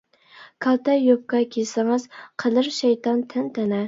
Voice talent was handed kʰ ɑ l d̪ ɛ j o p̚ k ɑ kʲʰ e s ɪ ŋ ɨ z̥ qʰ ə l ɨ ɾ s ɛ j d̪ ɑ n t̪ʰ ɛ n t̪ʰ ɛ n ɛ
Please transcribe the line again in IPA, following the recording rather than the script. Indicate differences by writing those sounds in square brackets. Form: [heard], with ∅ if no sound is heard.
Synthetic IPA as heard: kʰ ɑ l [t̪] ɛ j o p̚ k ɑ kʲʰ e s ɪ ŋ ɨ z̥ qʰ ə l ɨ ɾ [ʃ] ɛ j [t̪] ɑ n t̪ʰ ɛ n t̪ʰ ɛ n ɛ